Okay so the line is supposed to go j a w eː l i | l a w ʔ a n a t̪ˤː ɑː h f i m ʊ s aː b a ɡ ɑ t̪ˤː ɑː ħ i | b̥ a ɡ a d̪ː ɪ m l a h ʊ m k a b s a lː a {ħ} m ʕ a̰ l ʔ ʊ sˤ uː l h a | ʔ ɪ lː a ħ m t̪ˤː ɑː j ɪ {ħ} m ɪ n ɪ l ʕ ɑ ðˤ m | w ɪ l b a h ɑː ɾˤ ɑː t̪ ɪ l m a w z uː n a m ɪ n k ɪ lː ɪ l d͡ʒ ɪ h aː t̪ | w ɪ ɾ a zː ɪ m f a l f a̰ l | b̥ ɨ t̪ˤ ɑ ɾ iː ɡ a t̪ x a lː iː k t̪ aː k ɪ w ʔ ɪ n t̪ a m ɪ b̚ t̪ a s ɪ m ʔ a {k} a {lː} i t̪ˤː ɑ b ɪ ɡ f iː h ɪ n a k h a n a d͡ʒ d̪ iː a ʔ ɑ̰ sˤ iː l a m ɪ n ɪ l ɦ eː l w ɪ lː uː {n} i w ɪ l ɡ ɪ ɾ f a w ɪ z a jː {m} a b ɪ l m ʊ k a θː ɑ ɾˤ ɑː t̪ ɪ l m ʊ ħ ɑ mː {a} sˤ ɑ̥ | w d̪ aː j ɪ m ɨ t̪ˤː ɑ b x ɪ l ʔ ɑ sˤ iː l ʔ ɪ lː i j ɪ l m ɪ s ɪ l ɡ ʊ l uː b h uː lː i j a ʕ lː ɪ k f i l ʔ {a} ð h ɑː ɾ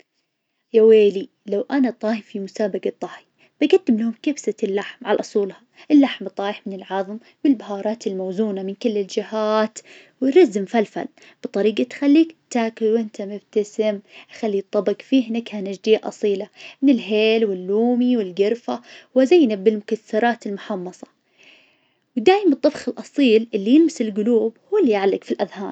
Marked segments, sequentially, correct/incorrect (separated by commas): correct, correct, incorrect, correct, incorrect, incorrect, incorrect, correct